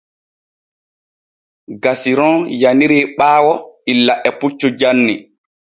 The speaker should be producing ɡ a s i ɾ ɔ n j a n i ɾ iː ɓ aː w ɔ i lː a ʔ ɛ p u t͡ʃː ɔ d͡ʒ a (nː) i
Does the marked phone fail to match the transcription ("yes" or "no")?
no